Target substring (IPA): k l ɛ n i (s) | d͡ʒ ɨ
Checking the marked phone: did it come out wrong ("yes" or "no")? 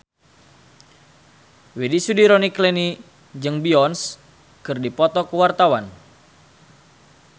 yes